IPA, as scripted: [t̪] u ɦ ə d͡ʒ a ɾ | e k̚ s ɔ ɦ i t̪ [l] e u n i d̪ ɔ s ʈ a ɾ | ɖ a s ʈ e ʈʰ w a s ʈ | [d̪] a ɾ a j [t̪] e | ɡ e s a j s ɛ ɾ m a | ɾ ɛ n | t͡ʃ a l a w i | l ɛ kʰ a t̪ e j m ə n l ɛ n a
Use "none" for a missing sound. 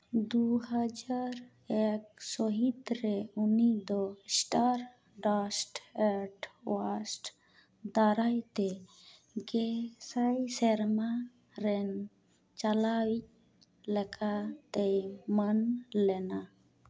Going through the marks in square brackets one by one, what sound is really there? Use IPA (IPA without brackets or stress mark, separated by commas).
d̪, ɾ, d̪, t̪